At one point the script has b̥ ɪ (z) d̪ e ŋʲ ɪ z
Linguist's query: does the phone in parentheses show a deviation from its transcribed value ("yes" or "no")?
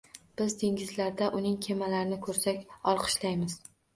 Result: no